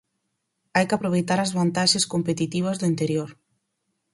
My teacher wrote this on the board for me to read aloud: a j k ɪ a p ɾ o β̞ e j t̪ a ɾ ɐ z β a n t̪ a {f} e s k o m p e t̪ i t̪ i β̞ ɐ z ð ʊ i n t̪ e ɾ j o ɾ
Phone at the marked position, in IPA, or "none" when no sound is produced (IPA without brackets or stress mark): ʃ